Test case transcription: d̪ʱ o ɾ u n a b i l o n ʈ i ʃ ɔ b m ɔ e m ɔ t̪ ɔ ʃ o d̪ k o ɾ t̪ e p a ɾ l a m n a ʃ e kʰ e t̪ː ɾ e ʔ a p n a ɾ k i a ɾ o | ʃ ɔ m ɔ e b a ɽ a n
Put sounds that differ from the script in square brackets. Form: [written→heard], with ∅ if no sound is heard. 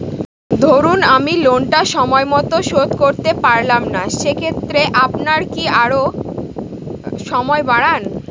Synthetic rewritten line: d̪ʱ o ɾ u n a [b→m] i l o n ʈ [i→a] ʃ ɔ [b→∅] m ɔ e m ɔ t̪ [ɔ→o] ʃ o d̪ k o ɾ t̪ e p a ɾ l a m n a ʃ e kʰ e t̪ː ɾ e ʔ a p n a ɾ k i a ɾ o | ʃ ɔ m ɔ e b a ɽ a n